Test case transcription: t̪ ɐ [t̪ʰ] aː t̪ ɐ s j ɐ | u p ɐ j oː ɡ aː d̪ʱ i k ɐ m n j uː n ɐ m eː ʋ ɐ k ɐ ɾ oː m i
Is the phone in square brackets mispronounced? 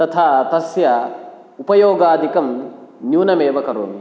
no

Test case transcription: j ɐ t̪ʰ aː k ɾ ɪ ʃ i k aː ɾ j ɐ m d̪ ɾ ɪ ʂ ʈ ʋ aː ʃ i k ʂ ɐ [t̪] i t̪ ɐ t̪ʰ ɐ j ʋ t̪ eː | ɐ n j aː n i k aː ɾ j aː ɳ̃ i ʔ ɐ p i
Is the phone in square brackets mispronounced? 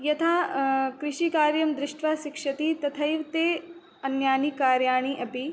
no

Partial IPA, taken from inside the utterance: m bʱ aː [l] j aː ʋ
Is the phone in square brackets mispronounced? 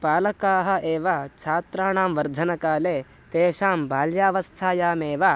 no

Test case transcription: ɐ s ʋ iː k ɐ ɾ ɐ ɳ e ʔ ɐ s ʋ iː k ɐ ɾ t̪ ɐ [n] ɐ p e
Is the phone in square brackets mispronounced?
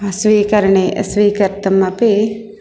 yes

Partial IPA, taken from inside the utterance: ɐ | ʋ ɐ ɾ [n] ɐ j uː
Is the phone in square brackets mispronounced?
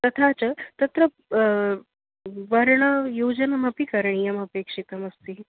yes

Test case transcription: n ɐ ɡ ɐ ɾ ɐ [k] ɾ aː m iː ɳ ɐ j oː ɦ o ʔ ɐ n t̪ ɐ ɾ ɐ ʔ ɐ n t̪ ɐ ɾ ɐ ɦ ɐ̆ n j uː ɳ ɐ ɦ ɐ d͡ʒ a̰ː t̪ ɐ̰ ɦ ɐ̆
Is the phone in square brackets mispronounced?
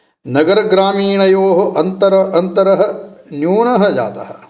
yes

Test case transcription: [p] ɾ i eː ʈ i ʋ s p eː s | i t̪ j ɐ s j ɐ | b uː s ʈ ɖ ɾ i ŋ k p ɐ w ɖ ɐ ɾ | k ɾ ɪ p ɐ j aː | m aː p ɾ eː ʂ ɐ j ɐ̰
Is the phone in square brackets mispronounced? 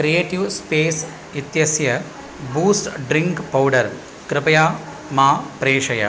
yes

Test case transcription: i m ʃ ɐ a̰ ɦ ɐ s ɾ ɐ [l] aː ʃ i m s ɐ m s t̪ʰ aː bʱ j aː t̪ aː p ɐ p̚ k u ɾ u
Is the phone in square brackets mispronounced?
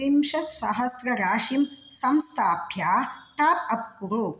yes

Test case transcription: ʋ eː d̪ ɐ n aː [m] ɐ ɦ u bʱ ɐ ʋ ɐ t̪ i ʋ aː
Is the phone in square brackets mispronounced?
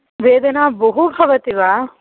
yes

